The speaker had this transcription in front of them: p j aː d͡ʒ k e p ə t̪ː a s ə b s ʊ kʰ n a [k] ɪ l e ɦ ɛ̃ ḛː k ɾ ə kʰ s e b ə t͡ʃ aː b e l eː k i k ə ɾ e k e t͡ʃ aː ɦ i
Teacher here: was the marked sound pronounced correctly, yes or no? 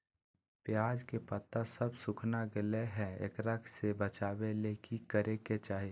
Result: no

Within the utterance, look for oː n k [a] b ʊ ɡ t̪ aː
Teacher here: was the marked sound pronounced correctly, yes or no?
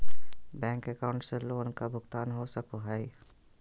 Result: yes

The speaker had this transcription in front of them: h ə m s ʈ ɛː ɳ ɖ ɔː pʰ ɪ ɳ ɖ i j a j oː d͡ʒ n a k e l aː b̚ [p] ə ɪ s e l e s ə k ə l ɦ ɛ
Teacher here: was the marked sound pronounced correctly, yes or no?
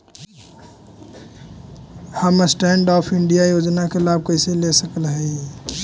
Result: no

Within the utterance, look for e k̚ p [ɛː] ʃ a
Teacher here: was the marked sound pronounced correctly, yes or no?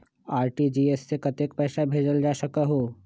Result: yes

